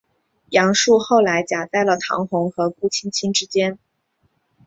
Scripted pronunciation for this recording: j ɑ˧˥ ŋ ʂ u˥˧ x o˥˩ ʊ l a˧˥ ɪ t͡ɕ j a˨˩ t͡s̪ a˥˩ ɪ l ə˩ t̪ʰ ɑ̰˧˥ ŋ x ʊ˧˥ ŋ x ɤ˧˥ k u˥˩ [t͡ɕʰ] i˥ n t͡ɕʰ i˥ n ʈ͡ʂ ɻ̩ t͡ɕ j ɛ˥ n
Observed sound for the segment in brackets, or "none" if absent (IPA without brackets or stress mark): t͡ɕʰ